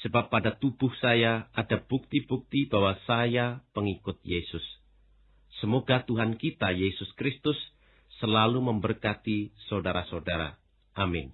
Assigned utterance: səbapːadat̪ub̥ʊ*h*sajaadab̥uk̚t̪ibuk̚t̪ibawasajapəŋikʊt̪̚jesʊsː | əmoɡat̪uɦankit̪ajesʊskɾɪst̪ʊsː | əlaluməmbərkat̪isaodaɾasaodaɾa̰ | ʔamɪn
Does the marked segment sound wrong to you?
no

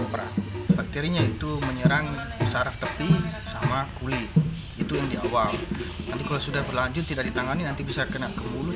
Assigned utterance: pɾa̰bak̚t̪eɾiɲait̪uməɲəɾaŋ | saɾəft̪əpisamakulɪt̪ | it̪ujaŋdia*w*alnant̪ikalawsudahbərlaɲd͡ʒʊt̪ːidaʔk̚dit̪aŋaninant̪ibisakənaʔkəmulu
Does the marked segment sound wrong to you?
no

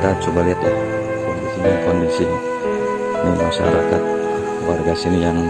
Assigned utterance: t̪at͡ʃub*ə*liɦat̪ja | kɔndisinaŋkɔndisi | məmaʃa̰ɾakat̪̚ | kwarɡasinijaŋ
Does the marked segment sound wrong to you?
yes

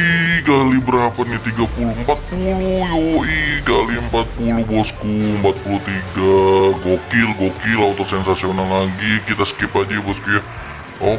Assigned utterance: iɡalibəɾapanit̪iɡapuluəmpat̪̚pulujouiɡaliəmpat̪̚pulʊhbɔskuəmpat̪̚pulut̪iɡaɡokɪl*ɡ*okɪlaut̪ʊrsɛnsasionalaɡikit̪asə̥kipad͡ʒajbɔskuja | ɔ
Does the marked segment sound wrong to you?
no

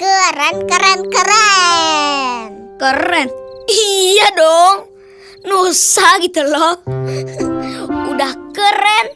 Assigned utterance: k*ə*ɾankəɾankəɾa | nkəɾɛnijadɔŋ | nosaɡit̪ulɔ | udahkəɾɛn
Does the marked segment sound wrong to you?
no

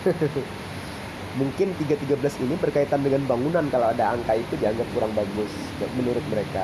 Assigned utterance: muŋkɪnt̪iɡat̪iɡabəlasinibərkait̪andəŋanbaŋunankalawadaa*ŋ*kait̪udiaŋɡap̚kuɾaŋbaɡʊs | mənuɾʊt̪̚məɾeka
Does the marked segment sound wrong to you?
no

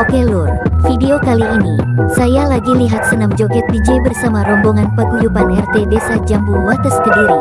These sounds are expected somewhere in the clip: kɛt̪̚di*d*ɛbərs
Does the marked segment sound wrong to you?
yes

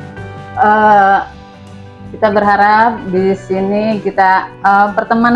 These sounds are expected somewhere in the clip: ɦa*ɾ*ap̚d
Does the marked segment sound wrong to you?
no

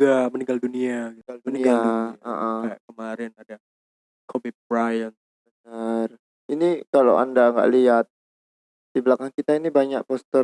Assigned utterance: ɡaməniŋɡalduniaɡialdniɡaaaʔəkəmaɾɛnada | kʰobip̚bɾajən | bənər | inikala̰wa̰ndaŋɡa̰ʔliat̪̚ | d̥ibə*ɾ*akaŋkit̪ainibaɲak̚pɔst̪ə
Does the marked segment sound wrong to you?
yes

